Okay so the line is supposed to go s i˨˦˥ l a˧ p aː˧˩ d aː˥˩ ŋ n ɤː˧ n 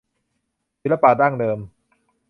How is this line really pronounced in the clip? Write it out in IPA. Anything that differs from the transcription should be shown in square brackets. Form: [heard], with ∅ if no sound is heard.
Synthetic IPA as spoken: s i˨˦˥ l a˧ p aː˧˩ d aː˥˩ ŋ [d] ɤː˧ [m]